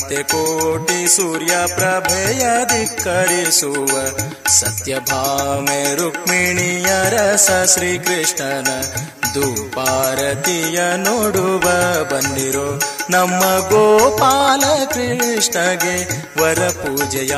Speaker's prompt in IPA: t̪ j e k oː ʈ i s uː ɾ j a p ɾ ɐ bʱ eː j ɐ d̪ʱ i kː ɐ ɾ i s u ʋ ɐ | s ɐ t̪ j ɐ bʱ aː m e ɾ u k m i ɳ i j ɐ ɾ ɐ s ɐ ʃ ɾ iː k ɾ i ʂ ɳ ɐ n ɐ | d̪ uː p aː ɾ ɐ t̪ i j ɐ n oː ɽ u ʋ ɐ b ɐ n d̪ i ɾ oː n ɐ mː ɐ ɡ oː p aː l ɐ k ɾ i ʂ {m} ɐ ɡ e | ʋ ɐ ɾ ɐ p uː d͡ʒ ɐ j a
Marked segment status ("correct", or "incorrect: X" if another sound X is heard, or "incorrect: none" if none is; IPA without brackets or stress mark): incorrect: ɳ